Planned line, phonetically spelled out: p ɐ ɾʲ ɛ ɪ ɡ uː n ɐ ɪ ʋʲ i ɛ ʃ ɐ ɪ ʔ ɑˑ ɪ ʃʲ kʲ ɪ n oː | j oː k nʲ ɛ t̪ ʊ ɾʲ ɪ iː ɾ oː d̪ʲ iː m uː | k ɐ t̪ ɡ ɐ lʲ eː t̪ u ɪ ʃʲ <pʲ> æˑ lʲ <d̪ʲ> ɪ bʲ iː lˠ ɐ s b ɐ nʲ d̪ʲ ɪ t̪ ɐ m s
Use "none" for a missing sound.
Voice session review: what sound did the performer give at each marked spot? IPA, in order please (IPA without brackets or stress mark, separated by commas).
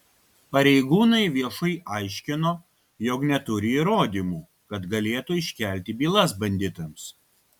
kʲ, t̪ʲ